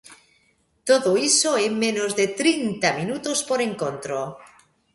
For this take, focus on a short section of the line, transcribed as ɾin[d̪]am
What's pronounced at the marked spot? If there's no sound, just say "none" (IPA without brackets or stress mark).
t̪